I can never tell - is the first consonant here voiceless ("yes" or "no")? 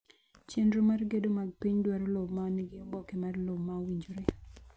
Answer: yes